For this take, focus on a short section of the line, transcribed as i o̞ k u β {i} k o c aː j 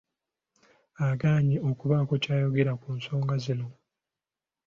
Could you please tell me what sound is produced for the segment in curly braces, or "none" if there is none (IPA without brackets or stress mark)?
a